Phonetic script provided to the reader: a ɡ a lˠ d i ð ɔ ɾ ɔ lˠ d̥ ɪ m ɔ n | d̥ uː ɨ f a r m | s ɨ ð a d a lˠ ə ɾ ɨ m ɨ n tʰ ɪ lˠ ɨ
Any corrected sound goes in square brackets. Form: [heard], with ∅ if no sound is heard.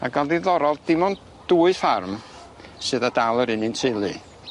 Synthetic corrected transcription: a ɡ a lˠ d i ð ɔ ɾ ɔ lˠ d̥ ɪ m ɔ n | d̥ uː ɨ f a r m | s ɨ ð a d a lˠ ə ɾ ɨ [n] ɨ n tʰ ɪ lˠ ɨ

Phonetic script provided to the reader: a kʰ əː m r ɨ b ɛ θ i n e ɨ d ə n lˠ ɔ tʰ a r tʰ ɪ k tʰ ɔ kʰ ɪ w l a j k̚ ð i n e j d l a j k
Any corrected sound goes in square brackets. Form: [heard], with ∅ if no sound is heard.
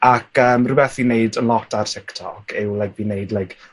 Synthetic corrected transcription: a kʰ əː m r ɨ b ɛ θ i n e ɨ d ə n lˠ ɔ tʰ a r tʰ ɪ k tʰ ɔ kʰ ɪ w l a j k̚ [v] i n e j d l a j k

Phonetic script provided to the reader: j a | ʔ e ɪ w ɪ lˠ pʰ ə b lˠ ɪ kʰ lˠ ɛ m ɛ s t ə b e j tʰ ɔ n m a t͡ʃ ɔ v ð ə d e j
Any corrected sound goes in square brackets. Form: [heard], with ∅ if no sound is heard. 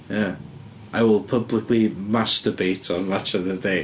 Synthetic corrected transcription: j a | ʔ [a] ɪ w ɪ lˠ pʰ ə b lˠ ɪ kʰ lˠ [i] m [a] s t ə b e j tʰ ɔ n m a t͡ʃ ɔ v ð ə d e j

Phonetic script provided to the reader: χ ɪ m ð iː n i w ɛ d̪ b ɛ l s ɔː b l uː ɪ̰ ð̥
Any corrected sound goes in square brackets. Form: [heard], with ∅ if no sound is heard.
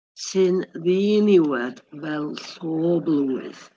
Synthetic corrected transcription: [s] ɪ [n] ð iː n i w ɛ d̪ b ɛ l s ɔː b l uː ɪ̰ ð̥

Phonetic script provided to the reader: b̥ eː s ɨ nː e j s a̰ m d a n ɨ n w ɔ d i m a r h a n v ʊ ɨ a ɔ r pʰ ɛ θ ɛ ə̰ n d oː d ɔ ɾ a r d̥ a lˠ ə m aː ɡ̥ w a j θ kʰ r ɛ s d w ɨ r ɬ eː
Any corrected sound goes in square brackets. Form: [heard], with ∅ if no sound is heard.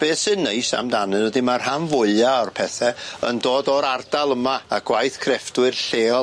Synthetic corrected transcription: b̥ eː s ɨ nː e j s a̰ m d a n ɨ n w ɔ d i m a r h a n v ʊ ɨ a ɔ r pʰ ɛ θ ɛ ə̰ n d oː d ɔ ɾ a r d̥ a lˠ ə m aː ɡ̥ w a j θ kʰ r ɛ [f] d w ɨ r ɬ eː

